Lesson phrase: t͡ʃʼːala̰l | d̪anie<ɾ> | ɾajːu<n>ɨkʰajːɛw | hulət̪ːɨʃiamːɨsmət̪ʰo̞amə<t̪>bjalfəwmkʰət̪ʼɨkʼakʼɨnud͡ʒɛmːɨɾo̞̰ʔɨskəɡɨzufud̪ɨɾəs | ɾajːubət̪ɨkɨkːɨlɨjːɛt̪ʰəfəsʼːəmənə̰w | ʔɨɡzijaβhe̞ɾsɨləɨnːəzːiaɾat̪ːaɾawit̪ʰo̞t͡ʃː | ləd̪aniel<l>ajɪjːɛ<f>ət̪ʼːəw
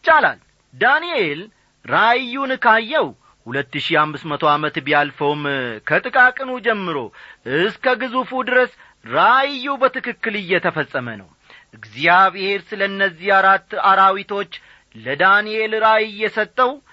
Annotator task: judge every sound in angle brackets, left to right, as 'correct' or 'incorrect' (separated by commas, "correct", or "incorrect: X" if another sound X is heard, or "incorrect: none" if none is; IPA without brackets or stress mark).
incorrect: l, correct, correct, incorrect: ɾ, incorrect: s